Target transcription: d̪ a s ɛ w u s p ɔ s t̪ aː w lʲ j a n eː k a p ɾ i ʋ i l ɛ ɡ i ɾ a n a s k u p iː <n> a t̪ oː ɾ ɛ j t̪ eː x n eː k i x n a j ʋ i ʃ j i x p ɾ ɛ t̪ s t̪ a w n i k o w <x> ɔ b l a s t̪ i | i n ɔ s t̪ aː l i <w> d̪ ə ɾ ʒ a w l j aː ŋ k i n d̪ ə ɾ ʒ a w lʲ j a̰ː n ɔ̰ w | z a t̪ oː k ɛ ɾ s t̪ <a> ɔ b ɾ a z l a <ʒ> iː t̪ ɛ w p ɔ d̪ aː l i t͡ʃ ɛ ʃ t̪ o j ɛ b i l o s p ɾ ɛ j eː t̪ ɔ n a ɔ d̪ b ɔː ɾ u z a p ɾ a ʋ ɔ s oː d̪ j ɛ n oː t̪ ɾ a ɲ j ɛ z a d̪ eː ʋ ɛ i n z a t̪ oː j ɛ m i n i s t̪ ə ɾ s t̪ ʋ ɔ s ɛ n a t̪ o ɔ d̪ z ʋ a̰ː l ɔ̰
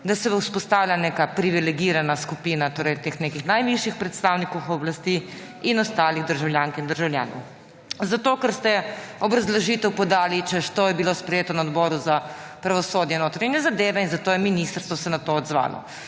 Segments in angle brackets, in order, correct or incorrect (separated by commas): correct, correct, incorrect, incorrect, correct